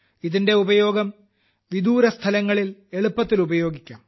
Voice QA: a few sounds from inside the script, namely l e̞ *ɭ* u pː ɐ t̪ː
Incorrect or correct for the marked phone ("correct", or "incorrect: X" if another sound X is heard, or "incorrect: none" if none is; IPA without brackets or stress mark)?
correct